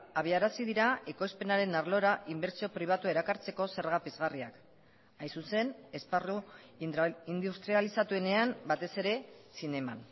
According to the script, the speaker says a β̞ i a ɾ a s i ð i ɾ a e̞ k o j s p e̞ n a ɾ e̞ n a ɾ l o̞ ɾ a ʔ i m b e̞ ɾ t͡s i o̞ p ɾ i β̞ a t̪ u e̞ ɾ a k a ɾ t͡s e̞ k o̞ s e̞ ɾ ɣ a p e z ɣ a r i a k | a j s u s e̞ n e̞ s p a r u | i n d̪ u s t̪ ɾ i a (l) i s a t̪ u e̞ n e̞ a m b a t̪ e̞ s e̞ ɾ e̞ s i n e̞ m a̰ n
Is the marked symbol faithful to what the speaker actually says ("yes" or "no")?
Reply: yes